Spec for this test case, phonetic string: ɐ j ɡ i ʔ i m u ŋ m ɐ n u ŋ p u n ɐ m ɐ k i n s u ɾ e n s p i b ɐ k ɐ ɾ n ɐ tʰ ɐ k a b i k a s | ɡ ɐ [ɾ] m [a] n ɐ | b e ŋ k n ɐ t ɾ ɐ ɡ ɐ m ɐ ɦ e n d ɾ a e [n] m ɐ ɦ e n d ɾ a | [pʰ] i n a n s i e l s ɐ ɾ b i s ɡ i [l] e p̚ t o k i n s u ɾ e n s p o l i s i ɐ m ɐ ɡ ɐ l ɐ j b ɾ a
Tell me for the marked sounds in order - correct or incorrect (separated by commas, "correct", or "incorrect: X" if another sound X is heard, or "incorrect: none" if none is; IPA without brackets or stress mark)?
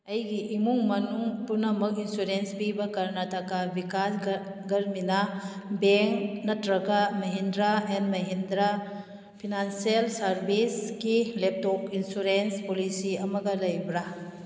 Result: correct, incorrect: i, correct, correct, correct